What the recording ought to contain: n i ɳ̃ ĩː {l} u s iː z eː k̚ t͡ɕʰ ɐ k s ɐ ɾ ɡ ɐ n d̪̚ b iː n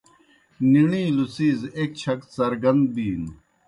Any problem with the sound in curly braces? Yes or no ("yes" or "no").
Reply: no